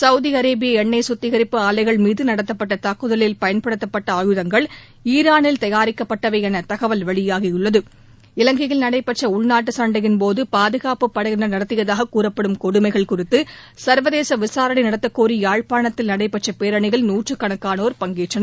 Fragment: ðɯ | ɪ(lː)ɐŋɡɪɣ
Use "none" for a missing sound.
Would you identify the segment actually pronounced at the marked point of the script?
l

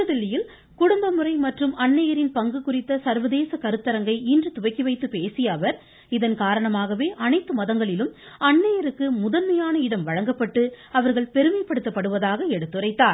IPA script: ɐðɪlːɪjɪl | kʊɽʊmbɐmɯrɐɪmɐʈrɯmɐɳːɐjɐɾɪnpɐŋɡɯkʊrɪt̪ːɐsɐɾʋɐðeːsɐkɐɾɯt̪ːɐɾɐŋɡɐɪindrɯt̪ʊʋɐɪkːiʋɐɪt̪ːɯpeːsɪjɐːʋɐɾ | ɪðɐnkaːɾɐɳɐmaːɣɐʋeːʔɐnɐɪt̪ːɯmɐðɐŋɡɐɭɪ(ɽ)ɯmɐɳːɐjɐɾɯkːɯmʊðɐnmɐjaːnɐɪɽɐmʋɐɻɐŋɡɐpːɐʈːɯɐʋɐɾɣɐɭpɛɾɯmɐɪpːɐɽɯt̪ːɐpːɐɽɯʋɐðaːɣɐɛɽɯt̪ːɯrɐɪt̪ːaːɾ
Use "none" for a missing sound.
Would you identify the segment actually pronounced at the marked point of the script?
l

